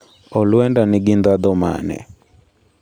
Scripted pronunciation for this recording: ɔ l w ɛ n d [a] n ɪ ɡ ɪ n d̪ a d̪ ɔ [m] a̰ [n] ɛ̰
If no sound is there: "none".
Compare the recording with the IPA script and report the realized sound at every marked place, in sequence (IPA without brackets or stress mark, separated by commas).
a, m, n